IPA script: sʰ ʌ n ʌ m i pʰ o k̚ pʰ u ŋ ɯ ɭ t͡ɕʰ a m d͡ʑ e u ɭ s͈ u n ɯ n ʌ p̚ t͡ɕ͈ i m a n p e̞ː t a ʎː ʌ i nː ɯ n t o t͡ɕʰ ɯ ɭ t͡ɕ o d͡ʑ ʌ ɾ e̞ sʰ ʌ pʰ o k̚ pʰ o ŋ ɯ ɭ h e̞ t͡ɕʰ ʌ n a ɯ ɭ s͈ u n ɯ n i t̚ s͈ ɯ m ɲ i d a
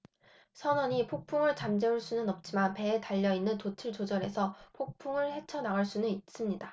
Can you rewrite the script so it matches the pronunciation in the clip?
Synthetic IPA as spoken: sʰ ʌ n ʌ ɲ i pʰ o k̚ pʰ u ŋ ɯ ɭ t͡ɕ a m d͡ʑ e u ɭ s͈ u n ɯ n ʌ p̚ t͡ɕ͈ i m a n p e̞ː t a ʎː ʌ i nː ɯ n t o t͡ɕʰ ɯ ɭ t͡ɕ o d͡ʑ ʌ ɾ e̞ sʰ ʌ pʰ o k̚ pʰ u ŋ ɯ ɭ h e̞ t͡ɕʰ ʌ n a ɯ ɭ s͈ u n ɯ n i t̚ s͈ ɯ m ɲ i d a

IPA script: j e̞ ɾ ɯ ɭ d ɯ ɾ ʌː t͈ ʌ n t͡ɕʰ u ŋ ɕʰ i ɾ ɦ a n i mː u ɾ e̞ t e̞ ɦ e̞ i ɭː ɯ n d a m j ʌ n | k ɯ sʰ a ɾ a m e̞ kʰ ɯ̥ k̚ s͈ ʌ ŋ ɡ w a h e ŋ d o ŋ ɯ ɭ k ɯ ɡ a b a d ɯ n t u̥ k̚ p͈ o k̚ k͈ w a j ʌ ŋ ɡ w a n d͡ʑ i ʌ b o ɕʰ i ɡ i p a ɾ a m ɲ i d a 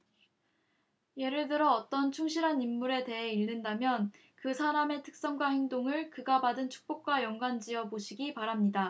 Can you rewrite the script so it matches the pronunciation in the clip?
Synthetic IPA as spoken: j e̞ ɾ ɯ ɭ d ɯ ɾ ʌː t͈ ʌ n t͡ɕʰ u ŋ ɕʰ i ɾ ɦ a n i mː u ɾ e̞ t e̞ ɦ e̞ i ɭː ɯ n d a m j ʌ n | k ɯ sʰ a ɾ a m e̞ tʰ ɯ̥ k̚ s͈ ʌ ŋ ɡ w a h e ŋ d o ŋ ɯ ɭ k ɯ ɡ a b a d ɯ n t͡ɕʰ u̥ k̚ p͈ o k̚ k͈ w a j ʌ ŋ ɡ w a n d͡ʑ i ʌ b o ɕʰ i ɡ i p a ɾ a m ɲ i d a

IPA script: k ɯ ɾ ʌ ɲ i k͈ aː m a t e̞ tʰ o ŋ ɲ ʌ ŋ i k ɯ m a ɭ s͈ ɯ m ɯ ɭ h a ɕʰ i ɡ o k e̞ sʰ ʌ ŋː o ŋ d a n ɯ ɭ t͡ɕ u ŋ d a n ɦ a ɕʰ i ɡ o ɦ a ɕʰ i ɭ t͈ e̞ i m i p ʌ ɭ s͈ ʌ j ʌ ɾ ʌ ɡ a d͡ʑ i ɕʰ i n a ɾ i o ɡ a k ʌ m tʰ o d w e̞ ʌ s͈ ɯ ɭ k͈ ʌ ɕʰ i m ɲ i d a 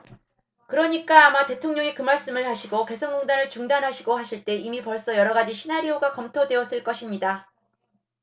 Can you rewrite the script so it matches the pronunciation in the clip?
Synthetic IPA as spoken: k ɯ ɾ ʌ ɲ i k͈ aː m a t e̞ tʰ o ŋ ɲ ʌ ŋ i k ɯ m a ɭ s͈ ɯ m ɯ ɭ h a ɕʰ i ɡ o k e̞ sʰ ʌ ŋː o ŋ d a n ɯ ɭ t͡ɕ u ŋ d a n ɦ a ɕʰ i ɡ o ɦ a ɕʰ i ɭ t͈ e̞ i m i p ʌ ɭ s͈ ʌ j ʌ ɾ ʌ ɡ a d͡ʑ i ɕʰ i n a ɾ i o ɡ a k ʌ m tʰ o d w e̞ ʌ s͈ ɯ ɭ k͈ ʌ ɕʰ i m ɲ i d a

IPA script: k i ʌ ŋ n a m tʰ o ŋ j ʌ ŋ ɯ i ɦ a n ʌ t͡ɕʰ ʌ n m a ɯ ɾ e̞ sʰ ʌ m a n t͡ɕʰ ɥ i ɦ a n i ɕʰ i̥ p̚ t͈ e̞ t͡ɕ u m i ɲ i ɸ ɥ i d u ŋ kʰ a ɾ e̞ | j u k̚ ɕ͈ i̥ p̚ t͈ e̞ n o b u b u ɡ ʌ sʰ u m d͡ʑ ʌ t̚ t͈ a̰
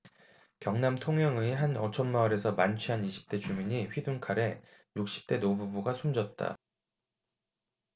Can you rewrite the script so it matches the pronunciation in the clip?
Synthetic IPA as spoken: k j ʌ ŋ n a m tʰ o ŋ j ʌ ŋ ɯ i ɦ a n ʌ t͡ɕʰ ʌ n m a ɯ ɾ e̞ sʰ ʌ m a n t͡ɕʰ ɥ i ɦ a n i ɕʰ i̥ p̚ t͈ e̞ t͡ɕ u m i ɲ i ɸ ɥ i d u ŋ kʰ a ɾ e̞ | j u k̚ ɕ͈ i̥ p̚ t͈ e̞ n o b u b u ɡ a sʰ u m d͡ʑ ʌ t̚ t͈ a̰

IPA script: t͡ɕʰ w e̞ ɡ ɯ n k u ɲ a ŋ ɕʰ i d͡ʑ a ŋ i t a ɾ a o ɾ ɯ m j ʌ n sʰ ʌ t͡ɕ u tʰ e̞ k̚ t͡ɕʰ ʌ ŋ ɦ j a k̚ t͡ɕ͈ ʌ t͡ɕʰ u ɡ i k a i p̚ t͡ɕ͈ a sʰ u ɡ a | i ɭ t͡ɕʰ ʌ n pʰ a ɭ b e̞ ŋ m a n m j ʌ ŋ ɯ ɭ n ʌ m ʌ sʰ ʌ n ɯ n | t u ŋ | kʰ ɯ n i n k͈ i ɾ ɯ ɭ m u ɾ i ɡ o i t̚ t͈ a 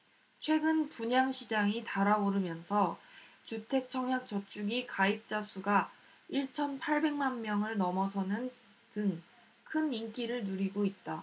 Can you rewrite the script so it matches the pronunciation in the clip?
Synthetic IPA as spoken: t͡ɕʰ w e̞ ɡ ɯ n p u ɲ a ŋ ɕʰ i d͡ʑ a ŋ i t a ɾ a o ɾ ɯ m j ʌ n sʰ ʌ t͡ɕ u tʰ e̞ k̚ t͡ɕʰ ʌ ŋ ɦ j a k̚ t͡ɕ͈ ʌ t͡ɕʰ u ɡ i k a i p̚ t͡ɕ͈ a sʰ u ɡ a | i ɭ t͡ɕʰ ʌ n pʰ a ɭ b e̞ ŋ m a n m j ʌ ŋ ɯ ɭ n ʌ m ʌ sʰ ʌ n ɯ n | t ɯ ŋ | kʰ ɯ n i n k͈ i ɾ ɯ ɭ n u ɾ i ɡ o i t̚ t͈ a

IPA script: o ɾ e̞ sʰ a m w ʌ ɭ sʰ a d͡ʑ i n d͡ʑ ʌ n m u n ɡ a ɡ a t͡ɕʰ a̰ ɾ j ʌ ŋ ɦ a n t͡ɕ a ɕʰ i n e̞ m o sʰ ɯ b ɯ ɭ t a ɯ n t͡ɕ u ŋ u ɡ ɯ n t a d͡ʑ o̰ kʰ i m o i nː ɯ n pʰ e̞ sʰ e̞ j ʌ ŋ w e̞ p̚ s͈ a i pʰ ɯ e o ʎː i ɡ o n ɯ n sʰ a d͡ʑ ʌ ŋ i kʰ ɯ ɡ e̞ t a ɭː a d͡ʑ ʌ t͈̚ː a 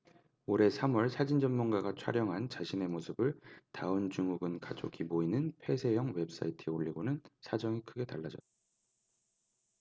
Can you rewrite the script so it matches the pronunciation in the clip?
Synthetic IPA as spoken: o ɾ e̞ sʰ a m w ʌ ɭ sʰ a d͡ʑ i n d͡ʑ ʌ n m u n ɡ a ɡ a t͡ɕʰ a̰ ɾ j ʌ ŋ ɦ a n t͡ɕ a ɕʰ i n e̞ m o sʰ ɯ b ɯ ɭ t a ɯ n t͡ɕ u ŋ u ɡ ɯ n k a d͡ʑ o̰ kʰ i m o i n ɯ n pʰ e̞ sʰ e̞ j ʌ ŋ w e̞ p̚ s͈ a i tʰ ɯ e o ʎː i ɡ o n ɯ n sʰ a d͡ʑ ʌ ŋ i kʰ ɯ ɡ e̞ t a ɭː a d͡ʑ ʌ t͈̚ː a

